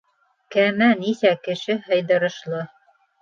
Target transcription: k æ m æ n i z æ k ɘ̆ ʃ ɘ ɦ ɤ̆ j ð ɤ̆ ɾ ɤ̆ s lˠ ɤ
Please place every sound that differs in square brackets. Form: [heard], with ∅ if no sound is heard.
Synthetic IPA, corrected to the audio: k æ m æ n i [s] æ k ɘ̆ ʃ ɘ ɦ ɤ̆ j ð ɤ̆ ɾ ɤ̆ [ʃ] lˠ ɤ